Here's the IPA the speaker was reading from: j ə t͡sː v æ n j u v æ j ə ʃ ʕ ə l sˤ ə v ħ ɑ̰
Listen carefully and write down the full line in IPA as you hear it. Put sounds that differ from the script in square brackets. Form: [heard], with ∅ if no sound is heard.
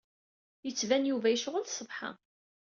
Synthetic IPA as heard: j ə t͡sː v æ n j u v æ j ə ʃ [ʁ] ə l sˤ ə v ħ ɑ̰